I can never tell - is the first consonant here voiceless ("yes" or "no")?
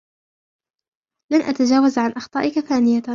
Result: no